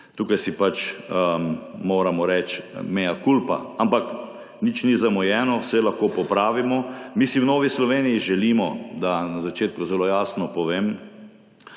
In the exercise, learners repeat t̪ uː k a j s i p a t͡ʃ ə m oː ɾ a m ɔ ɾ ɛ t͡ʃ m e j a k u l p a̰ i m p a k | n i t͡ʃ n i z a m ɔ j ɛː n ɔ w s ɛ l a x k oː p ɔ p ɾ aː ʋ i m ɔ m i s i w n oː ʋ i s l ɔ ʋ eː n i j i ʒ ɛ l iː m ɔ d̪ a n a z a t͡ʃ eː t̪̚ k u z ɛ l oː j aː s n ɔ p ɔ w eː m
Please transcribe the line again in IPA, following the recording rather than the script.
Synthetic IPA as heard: t̪ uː k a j s i p a t͡ʃ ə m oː ɾ a m ɔ ɾ ɛ t͡ʃ m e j a k u l p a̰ a m p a k | n i t͡ʃ n i z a m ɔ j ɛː n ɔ w s ɛ l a x k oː p ɔ p ɾ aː ʋ i m ɔ m i s i w n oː ʋ i s l ɔ ʋ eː n i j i ʒ ɛ l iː m ɔ d̪ a n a z a t͡ʃ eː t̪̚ k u z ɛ l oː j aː s n ɔ p ɔ ʋ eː m

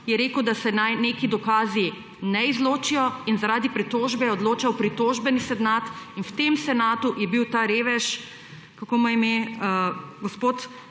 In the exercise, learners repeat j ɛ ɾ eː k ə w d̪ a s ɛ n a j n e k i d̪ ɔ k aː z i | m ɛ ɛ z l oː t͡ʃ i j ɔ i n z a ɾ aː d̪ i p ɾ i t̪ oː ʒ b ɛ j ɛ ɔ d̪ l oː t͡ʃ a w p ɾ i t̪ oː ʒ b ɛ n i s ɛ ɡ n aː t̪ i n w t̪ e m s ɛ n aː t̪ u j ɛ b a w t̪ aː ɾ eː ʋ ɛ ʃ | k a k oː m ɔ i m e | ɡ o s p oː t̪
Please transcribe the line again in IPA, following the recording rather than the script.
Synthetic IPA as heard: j ɛ ɾ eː k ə w d̪ a s ɛ n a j n e k i d̪ ɔ k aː z i | n ɛ i z l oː t͡ʃ i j ɔ i n z a ɾ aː d̪ i p ɾ i t̪ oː ʒ b ɛ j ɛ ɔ d̪ l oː t͡ʃ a w p ɾ i t̪ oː ʒ b ɛ n i s ɛ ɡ n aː t̪ i n w t̪ e m s ɛ n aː t̪ u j ɛ b i w t̪ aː ɾ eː ʋ ɛ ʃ | k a k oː m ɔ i m e | ɡ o s p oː t̪

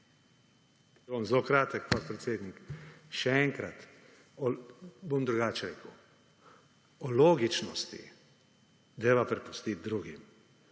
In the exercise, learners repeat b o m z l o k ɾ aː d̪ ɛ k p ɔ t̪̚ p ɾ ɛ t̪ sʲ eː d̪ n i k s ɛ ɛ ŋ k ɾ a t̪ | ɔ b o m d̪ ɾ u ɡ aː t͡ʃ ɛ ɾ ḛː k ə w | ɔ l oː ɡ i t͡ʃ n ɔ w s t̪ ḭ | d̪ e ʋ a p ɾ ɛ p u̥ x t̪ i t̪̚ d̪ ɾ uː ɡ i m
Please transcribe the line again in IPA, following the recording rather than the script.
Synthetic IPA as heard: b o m z l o k ɾ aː t̪ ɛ k p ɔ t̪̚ p ɾ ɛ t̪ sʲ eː d̪ n i k ʃ ɛ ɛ ŋ k ɾ a t̪ | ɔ b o m d̪ ɾ u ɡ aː t͡ʃ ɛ ɾ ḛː k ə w | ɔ l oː ɡ i t͡ʃ n ɔ s t̪ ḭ | d̪ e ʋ a p ɾ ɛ p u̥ s t̪ i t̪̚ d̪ ɾ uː ɡ i m

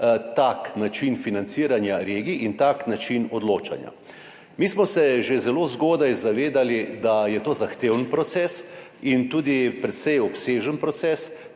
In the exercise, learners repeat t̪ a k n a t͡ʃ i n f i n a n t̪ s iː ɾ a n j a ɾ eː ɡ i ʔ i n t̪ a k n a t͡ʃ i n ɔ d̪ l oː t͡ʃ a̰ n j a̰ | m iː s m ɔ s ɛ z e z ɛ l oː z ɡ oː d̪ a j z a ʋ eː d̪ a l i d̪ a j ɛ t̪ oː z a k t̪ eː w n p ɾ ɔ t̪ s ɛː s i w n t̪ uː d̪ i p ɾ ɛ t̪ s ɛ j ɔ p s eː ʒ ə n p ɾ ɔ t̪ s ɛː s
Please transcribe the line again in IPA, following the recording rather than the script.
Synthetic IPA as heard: t̪ a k n a t͡ʃ i n f i n a n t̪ s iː ɾ a n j a ɾ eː ɡ i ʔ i n t̪ a k n a t͡ʃ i n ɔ d̪ l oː t͡ʃ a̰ n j a̰ | m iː s m ɔ s ɛ ʒ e z ɛ l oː z ɡ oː d̪ a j z a ʋ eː d̪ a l i d̪ a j ɛ t̪ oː z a x t̪ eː w n p ɾ ɔ t̪ s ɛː s i n t̪ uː d̪ i p ɾ ɛ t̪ s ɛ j ɔ p s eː ʒ ə n p ɾ ɔ t̪ s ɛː s

